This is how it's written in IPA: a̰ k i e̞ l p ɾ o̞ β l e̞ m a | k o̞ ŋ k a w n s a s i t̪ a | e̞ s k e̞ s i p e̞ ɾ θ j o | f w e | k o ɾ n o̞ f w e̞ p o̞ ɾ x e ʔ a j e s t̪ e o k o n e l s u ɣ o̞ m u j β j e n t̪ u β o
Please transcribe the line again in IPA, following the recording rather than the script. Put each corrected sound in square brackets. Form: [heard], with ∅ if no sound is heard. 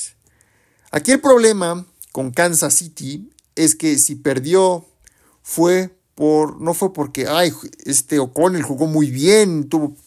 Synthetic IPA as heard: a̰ k i e̞ l p ɾ o̞ β l e̞ m a | k o̞ ŋ k a [∅] n s a s i t̪ [i] | e̞ s k e̞ s i p e̞ ɾ [ð] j o | f w e | [p] o ɾ n o̞ f w e̞ p o̞ ɾ [k] e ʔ a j e s t̪ e o k o n e l [x] u ɣ o̞ m u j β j e n t̪ u β o